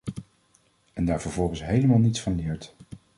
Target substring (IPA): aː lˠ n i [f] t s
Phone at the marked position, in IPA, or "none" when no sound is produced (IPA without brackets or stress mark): none